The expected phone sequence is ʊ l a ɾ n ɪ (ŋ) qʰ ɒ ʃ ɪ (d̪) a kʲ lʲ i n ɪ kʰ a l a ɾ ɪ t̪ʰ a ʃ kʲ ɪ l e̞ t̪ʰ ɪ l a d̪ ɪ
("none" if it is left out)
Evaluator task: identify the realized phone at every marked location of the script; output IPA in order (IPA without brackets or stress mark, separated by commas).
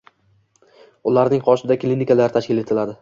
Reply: ŋ, d̪